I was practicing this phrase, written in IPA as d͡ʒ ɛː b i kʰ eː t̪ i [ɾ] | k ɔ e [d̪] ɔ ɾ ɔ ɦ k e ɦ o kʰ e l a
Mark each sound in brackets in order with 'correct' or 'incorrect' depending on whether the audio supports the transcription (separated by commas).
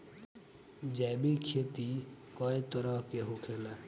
incorrect, incorrect